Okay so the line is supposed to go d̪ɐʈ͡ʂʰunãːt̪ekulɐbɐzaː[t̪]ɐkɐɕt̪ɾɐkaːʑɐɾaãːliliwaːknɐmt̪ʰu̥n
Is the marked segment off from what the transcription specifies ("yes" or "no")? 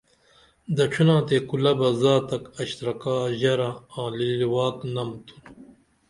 no